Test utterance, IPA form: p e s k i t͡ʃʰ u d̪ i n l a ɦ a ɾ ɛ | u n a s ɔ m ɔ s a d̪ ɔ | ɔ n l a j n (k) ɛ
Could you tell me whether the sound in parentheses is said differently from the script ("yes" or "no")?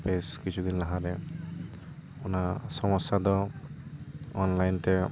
yes